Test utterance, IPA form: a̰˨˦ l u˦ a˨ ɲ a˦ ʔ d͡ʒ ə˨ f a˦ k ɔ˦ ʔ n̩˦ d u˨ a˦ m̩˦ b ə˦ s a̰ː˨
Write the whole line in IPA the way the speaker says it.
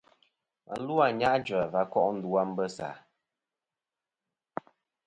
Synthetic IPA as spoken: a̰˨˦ l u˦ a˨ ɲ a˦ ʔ d͡ʒ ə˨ v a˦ k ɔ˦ ʔ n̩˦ d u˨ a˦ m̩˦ b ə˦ s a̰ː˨